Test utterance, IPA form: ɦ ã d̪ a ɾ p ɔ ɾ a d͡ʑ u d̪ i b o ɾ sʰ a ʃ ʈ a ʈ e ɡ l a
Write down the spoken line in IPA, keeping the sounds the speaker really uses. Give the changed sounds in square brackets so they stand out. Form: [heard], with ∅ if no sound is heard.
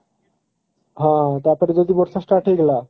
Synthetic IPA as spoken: ɦ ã [t̪] a ɾ p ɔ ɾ [e] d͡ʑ [o] d̪ i b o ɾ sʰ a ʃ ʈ a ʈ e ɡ l a